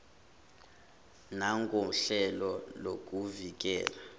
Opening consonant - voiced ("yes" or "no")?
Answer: yes